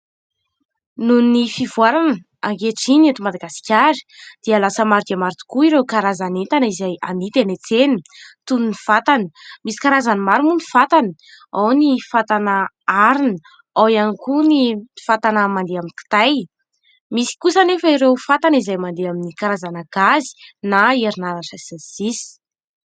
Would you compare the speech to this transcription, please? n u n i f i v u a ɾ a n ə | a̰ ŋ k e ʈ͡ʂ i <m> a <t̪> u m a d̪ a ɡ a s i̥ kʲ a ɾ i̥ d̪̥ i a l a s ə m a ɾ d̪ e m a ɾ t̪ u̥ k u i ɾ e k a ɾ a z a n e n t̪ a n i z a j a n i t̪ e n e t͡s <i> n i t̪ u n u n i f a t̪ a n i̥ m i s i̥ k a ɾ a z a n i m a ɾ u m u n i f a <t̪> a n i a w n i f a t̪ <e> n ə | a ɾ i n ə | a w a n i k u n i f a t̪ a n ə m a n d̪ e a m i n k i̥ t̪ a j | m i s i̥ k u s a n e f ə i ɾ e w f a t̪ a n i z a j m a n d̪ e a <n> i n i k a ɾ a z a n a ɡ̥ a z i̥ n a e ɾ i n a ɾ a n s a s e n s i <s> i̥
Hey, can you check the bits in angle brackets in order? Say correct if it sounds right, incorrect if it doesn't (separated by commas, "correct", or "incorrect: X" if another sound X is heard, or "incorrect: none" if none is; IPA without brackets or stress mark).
incorrect: n, correct, incorrect: e, correct, incorrect: a, incorrect: m, correct